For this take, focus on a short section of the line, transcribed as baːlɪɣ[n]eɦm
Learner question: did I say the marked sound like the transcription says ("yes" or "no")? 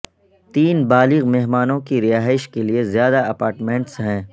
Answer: no